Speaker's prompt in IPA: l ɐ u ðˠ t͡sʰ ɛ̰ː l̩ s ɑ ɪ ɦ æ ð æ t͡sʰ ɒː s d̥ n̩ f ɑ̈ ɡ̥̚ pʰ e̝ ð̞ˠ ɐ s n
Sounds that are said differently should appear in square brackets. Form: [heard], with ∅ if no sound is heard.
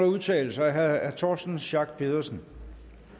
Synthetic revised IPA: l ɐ u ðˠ t͡sʰ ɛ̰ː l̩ s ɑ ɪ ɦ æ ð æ t͡sʰ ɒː s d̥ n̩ [ɕ] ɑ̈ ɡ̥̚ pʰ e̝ ð̞ˠ ɐ s n